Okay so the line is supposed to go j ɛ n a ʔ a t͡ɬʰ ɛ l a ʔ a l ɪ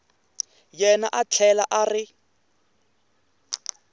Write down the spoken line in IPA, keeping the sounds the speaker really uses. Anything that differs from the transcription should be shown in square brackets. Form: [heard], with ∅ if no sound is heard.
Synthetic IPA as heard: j ɛ n a ʔ a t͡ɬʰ ɛ l a ʔ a [r] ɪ